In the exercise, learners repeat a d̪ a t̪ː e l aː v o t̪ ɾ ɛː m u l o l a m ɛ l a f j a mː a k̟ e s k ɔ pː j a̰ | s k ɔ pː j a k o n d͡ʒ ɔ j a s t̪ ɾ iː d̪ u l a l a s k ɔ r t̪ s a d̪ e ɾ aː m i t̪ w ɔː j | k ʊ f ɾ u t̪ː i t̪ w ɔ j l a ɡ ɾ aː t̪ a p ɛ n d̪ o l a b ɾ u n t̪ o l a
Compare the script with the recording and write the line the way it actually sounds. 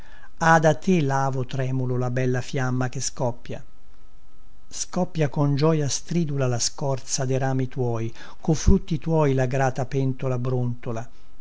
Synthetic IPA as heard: a d̪ a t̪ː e l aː v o t̪ ɾ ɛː m u l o l a b ɛ lː a f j a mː a k̟ e s k ɔ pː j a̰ | s k ɔ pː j a k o n d͡ʒ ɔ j a s t̪ ɾ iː d̪ u l a l a s k ɔ r t̪ s a d̪ e ɾ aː m i t̪ w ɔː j | k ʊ f ɾ u t̪ː i t̪ w ɔ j l a ɡ ɾ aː t̪ a p ɛ n t̪ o l a b ɾ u n t̪ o l a